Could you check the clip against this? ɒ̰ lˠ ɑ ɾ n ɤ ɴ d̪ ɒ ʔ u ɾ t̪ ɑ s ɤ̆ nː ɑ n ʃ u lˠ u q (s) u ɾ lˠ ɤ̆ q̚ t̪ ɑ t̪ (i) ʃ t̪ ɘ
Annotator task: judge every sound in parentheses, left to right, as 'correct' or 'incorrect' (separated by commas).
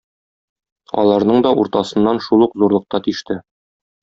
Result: incorrect, correct